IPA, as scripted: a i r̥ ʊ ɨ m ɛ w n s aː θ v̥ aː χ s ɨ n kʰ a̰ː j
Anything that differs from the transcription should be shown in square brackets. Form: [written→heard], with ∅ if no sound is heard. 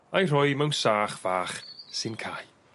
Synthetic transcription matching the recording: a [i→j] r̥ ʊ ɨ m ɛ w n s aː [θ→χ] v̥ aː χ s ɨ n kʰ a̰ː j

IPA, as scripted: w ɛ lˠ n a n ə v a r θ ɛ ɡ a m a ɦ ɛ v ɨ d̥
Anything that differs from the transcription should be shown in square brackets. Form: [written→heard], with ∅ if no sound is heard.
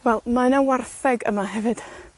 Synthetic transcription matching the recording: w ɛ lˠ [n→m] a n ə [v→w] a r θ ɛ ɡ [a→ə] m a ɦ ɛ v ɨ d̥

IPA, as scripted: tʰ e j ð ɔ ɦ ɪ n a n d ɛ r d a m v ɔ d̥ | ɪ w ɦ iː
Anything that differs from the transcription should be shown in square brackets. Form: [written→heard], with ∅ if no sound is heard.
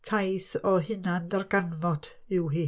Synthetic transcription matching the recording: tʰ [e→a] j [ð→θ] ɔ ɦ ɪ n a n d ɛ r [d→ɡ] a [m→n] v ɔ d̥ | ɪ w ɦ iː

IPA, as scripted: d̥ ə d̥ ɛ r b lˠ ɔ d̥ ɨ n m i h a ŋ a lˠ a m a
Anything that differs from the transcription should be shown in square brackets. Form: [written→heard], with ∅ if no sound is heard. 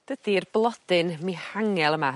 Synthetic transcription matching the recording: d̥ ə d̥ [ɛ→i] r b lˠ ɔ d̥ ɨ n m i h a ŋ [a→ɛ] lˠ [a→ə] m a

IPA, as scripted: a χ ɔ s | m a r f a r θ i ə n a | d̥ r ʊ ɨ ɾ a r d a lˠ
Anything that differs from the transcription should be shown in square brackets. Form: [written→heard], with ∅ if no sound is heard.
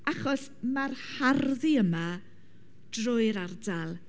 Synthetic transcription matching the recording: a χ ɔ s | m a r [f→h] a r [θ→ð] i ə [n→m] a | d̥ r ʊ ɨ ɾ a r d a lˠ

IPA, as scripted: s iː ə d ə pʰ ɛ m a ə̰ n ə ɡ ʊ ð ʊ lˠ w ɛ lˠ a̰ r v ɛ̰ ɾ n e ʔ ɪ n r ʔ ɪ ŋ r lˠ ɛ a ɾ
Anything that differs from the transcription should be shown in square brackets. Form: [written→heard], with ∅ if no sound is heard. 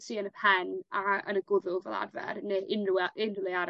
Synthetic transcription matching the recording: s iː ə [d→n] ə pʰ ɛ [m→n] a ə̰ n ə ɡ ʊ ð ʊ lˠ [w→v] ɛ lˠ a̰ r v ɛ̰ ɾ n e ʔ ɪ n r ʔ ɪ [ŋ→n] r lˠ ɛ a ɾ

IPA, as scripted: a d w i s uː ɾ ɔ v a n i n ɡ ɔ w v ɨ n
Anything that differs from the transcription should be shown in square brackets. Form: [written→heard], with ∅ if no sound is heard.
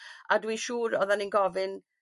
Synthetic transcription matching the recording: a d w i [s→ʃ] uː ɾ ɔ [v→ð] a n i n ɡ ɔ [w→∅] v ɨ n

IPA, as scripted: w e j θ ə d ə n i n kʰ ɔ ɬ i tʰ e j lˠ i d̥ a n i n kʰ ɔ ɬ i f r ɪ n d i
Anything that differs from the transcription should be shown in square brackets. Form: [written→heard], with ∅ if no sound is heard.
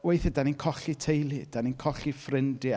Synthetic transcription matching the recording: w e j θ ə d [ə→a] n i n kʰ ɔ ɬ i tʰ e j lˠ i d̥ a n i n kʰ ɔ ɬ i f r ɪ n d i

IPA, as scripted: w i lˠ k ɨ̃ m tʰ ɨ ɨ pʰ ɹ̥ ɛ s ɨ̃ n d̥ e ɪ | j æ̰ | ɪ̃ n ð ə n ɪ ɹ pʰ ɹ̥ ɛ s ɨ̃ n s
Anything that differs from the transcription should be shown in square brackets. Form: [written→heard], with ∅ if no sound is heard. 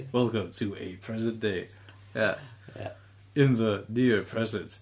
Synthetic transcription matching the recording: w [i→ɛ] lˠ k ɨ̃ m tʰ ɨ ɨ pʰ ɹ̥ ɛ [s→z] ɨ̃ n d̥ e ɪ | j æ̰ | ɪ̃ n ð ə n ɪ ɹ pʰ ɹ̥ ɛ [s→z] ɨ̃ n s

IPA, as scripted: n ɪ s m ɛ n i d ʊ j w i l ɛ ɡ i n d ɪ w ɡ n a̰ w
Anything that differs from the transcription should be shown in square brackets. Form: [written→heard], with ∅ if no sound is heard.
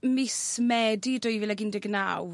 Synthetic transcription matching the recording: [n→m] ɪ s m ɛ [n→d] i d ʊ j [w→v] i l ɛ ɡ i n d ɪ [w→∅] ɡ n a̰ w

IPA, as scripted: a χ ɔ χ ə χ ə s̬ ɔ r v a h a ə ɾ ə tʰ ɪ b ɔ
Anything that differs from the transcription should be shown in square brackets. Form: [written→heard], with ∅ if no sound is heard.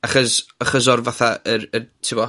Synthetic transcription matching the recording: a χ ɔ [χ→s] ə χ ə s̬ ɔ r v a [h→θ] a ə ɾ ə tʰ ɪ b ɔ

